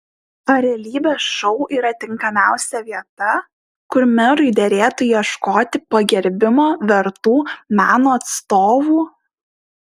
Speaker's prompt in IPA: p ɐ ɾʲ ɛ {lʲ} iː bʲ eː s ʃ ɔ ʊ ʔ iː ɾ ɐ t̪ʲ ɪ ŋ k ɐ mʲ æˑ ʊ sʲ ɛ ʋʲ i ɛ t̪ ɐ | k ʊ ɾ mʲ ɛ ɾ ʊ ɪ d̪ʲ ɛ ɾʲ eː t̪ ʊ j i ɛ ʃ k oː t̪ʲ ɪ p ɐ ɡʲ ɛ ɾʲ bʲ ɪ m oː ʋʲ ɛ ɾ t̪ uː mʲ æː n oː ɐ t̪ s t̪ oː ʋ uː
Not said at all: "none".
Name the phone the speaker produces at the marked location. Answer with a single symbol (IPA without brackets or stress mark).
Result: lʲ